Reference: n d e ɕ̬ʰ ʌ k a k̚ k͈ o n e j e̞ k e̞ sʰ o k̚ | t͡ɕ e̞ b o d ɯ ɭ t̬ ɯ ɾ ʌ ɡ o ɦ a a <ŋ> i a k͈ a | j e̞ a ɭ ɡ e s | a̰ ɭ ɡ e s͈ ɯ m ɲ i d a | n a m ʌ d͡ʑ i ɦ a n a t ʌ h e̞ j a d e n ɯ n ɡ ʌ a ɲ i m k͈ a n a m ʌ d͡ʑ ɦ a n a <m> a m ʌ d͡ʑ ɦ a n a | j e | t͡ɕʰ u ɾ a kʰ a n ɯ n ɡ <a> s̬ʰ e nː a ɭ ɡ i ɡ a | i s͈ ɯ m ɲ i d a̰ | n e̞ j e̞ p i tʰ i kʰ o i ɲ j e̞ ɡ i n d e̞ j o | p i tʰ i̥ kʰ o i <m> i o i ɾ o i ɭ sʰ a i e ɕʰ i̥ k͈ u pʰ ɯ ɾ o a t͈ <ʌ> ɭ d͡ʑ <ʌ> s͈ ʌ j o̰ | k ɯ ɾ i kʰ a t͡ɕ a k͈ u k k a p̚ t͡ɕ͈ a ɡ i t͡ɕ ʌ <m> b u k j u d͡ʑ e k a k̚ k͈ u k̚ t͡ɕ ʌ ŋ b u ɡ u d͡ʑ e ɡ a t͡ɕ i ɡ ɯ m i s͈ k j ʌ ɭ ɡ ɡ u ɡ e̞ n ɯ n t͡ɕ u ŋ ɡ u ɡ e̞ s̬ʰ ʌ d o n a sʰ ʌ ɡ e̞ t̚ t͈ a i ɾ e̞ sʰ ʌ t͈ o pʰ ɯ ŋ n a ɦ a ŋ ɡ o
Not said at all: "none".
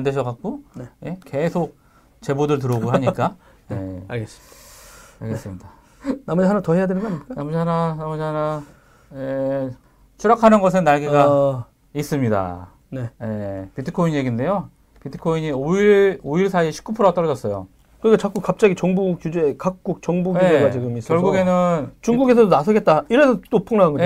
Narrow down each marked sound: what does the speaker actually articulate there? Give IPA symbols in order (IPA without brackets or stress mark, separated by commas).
ɲ, n, ʌ, ɲ, ʌ, ʌ, ŋ